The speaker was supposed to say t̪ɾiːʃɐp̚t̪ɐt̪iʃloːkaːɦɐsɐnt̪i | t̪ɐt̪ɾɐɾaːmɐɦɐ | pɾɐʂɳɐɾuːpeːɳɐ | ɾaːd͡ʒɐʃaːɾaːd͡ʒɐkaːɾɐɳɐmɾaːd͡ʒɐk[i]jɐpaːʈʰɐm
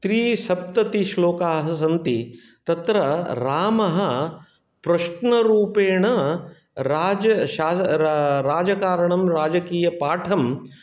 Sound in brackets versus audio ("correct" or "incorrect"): incorrect